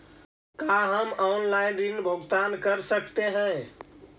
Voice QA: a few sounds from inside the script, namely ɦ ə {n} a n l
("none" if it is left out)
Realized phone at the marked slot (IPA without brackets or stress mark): m